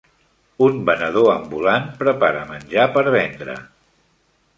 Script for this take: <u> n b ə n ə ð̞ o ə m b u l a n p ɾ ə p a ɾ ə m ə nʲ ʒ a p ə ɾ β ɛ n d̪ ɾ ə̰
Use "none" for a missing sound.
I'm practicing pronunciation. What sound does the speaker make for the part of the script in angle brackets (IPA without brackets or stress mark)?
u